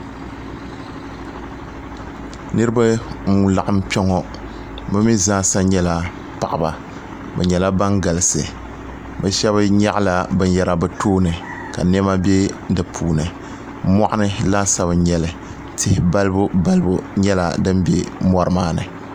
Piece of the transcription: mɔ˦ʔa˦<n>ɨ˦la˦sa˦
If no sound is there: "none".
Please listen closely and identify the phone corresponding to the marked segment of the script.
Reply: n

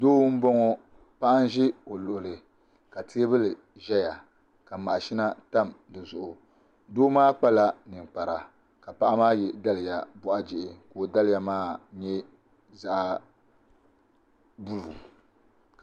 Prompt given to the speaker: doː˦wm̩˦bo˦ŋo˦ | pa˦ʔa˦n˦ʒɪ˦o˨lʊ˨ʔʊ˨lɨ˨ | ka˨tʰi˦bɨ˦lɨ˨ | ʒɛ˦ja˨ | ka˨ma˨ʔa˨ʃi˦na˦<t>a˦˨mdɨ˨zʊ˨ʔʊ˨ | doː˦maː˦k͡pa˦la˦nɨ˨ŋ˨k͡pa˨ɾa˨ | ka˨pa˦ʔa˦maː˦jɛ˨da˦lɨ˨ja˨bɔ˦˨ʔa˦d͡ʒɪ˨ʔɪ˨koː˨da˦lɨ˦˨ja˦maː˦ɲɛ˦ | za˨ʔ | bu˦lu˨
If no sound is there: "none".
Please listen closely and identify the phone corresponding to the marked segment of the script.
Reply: t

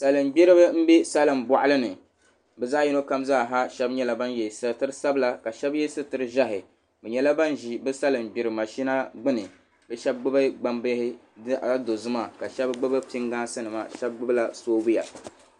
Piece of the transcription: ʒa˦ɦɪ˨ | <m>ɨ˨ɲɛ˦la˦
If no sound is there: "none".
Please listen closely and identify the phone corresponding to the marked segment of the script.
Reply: b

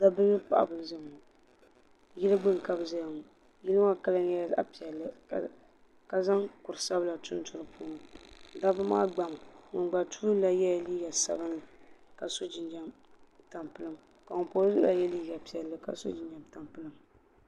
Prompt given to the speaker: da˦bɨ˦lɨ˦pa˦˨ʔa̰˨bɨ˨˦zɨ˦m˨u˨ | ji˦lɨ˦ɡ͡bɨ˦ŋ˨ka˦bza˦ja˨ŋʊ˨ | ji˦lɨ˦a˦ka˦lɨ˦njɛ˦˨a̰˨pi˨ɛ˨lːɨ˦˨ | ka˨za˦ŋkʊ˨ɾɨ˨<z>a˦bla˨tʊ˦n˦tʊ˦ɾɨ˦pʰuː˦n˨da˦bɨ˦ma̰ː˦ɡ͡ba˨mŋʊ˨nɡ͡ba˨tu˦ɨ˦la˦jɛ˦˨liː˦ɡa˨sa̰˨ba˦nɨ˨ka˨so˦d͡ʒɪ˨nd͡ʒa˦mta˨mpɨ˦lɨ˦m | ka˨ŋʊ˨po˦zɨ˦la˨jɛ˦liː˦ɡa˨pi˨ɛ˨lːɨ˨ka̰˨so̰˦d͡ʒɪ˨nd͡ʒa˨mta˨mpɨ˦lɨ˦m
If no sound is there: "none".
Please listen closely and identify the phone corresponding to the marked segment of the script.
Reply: s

